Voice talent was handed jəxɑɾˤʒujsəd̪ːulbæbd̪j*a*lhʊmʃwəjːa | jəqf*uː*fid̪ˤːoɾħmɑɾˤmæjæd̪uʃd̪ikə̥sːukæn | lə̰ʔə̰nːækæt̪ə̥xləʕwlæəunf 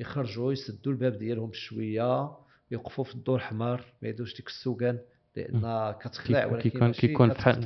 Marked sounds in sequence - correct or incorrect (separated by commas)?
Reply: incorrect, incorrect